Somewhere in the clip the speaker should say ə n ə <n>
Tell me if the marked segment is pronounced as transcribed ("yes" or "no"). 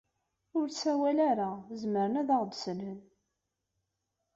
yes